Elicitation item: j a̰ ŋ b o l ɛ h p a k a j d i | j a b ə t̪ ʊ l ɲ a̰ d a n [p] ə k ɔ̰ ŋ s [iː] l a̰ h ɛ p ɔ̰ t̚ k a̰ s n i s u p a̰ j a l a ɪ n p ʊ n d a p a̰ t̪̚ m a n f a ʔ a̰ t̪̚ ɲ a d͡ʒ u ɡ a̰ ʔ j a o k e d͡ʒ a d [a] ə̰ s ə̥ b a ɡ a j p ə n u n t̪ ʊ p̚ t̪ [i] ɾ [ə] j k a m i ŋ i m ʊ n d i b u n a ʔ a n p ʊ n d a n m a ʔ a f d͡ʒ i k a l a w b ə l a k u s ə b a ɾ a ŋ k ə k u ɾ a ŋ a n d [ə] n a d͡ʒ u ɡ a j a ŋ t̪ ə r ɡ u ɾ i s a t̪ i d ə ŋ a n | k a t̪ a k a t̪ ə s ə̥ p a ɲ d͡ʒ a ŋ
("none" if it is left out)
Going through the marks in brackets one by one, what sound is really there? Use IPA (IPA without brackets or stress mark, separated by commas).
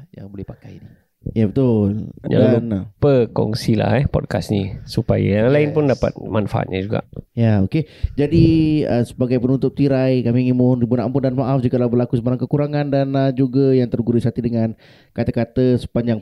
p, i, i, i, a, a